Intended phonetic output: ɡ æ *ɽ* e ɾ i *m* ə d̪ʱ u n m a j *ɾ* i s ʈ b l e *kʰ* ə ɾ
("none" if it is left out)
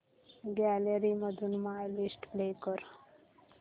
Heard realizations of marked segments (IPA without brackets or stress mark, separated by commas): l, m, l, k